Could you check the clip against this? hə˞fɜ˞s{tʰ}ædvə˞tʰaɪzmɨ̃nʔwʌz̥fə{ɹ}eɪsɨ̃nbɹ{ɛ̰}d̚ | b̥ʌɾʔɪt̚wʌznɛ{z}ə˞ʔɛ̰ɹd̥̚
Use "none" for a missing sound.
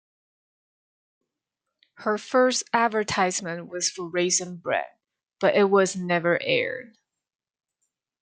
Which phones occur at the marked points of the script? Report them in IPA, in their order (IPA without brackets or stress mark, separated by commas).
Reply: t, ɹ, ɛ̰, v